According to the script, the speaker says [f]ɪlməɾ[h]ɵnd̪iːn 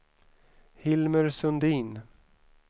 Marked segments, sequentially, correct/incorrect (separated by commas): incorrect, incorrect